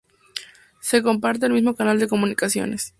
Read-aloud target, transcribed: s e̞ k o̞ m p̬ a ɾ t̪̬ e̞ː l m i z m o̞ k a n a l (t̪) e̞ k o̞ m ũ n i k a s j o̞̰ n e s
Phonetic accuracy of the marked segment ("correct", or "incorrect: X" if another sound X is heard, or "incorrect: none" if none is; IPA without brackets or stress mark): incorrect: d̪